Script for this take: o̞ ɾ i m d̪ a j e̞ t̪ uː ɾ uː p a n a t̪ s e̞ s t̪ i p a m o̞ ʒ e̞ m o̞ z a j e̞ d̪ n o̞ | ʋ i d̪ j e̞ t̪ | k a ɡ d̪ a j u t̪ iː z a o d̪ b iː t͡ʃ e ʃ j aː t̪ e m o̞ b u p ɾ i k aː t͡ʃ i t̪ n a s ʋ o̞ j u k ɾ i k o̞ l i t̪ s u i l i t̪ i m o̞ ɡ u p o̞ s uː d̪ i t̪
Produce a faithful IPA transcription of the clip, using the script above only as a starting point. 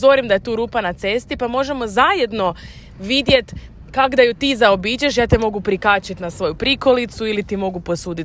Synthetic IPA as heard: o̞ ɾ i m d̪ a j e̞ t̪ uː ɾ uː p a n a t̪ s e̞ s t̪ i p a m o̞ ʒ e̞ m o̞ z a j e̞ d̪ n o̞ | ʋ i d̪ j e̞ t̪ | k a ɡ d̪ a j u t̪ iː z a o b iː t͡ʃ e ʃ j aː t̪ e m o̞ ɡ u p ɾ i k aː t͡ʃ i t̪ n a s ʋ o̞ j u p ɾ i k o̞ l i t̪ s u i l i t̪ i m o̞ ɡ u p o̞ s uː d̪ i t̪